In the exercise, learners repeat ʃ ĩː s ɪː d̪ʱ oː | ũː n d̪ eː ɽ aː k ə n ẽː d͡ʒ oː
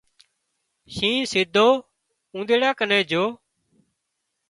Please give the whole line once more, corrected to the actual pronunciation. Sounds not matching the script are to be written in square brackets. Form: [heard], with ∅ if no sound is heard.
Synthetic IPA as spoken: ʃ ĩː s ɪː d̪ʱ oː | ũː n d̪ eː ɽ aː k ə n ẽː d͡ʒ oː

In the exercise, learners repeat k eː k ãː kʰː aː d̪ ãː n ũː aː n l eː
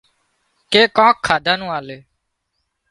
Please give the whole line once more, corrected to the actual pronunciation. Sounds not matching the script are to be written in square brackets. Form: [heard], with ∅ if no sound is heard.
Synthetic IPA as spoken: k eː k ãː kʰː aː d̪ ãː n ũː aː [∅] l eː

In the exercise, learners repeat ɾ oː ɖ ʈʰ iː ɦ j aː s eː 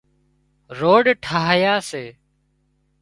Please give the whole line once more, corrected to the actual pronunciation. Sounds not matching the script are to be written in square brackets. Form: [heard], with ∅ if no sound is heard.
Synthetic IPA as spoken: ɾ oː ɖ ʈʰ [aː] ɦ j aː s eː

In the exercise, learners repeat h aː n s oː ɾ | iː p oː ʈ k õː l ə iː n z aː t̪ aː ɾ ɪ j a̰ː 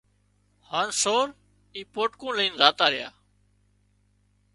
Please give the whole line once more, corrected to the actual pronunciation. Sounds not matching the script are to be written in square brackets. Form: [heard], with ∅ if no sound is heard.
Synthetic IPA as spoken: h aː n s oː ɾ | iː p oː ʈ k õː l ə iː n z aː t̪ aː ɾ ɪ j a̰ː

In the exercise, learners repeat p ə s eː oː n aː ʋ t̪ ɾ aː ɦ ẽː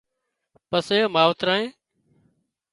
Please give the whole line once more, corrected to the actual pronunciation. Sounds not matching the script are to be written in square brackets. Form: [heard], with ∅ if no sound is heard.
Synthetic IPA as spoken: p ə s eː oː [m] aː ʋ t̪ ɾ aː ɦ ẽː

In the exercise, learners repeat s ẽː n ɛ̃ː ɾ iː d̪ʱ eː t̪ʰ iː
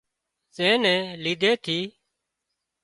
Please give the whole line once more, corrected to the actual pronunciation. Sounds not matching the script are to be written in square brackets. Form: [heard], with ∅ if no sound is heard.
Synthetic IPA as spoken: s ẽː n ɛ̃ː [l] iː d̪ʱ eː t̪ʰ iː

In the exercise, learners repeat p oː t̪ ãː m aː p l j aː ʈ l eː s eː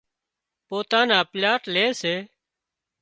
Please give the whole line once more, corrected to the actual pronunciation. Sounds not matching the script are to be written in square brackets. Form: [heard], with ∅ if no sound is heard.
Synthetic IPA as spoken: p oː t̪ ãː [n] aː p l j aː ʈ l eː s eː

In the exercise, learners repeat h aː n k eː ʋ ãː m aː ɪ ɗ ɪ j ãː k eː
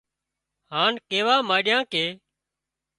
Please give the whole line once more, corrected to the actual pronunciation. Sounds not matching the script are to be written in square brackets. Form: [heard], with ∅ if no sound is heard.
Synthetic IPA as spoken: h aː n k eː ʋ [aː] m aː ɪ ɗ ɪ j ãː k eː

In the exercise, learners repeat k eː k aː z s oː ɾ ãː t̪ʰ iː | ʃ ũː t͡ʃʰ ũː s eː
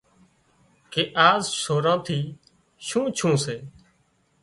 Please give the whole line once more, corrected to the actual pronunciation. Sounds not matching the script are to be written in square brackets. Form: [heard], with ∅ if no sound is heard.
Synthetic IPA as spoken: k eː [ʔ] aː z s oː ɾ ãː t̪ʰ iː | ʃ ũː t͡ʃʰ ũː s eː

